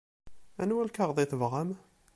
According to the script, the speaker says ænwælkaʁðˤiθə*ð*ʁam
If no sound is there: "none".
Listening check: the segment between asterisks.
v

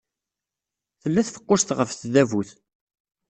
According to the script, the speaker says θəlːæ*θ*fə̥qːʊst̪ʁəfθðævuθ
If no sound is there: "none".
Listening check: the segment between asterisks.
θ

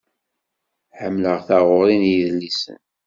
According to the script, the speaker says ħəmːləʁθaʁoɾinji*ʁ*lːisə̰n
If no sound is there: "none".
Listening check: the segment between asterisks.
ð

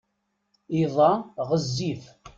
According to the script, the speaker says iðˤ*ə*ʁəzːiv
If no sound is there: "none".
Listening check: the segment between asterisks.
ɑ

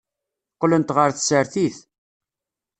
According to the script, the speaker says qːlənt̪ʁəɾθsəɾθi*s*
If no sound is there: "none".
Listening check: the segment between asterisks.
θ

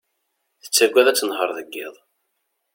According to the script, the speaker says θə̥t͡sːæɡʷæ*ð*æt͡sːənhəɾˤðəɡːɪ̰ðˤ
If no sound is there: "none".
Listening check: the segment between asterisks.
ð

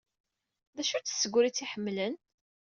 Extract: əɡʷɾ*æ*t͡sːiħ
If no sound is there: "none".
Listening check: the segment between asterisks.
i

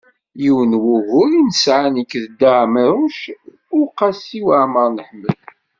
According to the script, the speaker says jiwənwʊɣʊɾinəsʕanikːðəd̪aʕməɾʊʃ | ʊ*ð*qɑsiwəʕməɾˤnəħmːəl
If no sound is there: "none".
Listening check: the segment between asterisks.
none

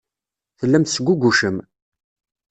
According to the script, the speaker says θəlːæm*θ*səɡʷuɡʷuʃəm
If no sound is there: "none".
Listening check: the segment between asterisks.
θ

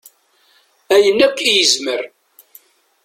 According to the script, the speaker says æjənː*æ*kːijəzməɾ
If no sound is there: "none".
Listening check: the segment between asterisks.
æ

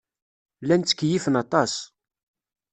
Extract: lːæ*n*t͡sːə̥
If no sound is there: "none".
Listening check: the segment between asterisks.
n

